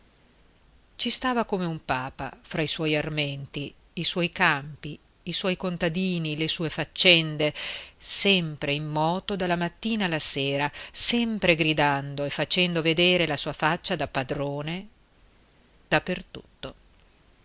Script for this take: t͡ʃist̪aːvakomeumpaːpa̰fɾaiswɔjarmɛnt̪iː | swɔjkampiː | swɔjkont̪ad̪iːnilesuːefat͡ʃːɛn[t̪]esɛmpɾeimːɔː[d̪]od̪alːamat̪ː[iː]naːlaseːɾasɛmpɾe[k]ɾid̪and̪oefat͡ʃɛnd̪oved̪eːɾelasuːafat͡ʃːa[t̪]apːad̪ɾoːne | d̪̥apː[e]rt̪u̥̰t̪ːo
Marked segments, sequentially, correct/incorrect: incorrect, incorrect, correct, incorrect, incorrect, correct

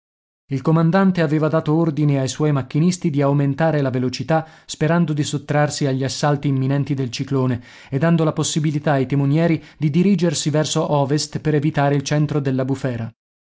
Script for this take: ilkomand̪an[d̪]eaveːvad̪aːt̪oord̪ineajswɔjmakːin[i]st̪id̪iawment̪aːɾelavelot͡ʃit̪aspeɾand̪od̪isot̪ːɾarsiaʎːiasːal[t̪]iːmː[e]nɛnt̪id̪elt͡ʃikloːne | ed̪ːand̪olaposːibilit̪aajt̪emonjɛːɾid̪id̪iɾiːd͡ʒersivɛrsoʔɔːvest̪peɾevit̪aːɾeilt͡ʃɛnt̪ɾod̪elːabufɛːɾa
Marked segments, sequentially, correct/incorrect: incorrect, correct, correct, incorrect

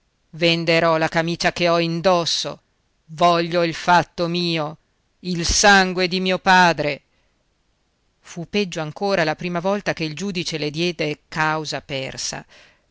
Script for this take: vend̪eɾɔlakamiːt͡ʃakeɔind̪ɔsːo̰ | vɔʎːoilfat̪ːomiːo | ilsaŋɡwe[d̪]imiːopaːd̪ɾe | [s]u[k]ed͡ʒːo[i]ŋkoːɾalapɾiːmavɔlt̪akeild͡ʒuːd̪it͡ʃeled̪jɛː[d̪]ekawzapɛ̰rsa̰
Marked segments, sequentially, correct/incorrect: correct, incorrect, incorrect, incorrect, correct

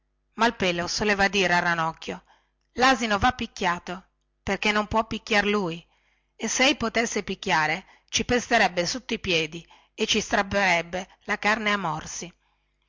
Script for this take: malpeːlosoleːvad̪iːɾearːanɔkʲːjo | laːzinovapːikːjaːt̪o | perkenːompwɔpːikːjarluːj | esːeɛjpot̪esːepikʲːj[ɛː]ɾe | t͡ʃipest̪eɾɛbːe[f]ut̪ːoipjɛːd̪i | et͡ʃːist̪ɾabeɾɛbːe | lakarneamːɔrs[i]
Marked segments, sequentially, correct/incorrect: incorrect, incorrect, correct

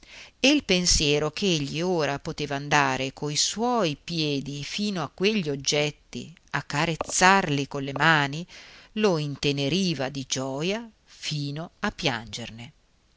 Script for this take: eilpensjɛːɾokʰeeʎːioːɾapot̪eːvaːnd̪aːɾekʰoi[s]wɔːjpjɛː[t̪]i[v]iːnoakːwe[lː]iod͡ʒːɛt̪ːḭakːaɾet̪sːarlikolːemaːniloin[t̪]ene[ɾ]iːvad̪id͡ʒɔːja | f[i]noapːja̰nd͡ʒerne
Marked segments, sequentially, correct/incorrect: correct, incorrect, incorrect, incorrect, correct, correct, incorrect

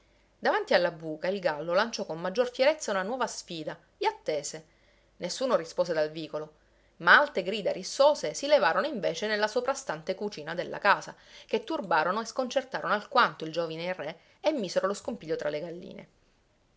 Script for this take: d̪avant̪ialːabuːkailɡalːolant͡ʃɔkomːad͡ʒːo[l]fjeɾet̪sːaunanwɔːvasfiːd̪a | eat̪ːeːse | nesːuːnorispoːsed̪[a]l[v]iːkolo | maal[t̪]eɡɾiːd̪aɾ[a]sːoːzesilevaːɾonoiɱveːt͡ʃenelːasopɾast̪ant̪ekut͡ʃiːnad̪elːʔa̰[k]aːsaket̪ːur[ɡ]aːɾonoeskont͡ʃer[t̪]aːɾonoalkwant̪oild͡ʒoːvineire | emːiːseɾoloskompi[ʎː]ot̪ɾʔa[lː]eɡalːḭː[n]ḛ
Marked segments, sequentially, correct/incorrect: incorrect, correct, correct, correct, incorrect, correct, incorrect, correct, correct, incorrect, correct

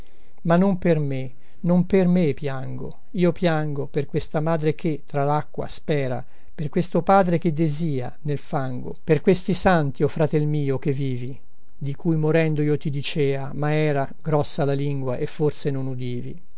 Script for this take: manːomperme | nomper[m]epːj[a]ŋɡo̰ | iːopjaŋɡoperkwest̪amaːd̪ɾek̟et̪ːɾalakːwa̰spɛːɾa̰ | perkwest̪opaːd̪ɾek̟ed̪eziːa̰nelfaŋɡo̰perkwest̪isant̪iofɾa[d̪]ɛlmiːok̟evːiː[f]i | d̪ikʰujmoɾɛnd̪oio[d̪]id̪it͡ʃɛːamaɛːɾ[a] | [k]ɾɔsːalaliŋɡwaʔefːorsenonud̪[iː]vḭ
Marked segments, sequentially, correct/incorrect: correct, correct, incorrect, incorrect, incorrect, correct, incorrect, correct

